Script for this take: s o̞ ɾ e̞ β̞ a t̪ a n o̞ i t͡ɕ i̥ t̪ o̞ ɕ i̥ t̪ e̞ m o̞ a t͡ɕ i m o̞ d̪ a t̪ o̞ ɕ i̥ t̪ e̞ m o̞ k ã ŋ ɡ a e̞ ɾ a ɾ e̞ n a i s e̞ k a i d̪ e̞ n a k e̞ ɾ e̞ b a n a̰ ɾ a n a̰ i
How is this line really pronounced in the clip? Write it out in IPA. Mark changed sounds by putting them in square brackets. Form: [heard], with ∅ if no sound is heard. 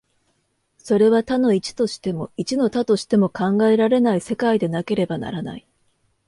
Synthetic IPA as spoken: s o̞ ɾ e̞ β̞ a t̪ a n o̞ i t͡ɕ i̥ t̪ o̞ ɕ i̥ t̪ e̞ m o̞ [i] t͡ɕ i [n] o̞ [t̪] a t̪ o̞ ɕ i̥ t̪ e̞ m o̞ k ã ŋ ɡ a e̞ ɾ a ɾ e̞ n a i s e̞ k a i d̪ e̞ n a k e̞ ɾ e̞ b a n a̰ ɾ a n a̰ i